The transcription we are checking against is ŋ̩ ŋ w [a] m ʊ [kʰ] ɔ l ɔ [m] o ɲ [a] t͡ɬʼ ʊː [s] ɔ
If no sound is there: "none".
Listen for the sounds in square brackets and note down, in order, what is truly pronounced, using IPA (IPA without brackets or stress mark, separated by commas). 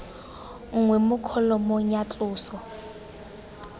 ɛ, kʰ, m, a, s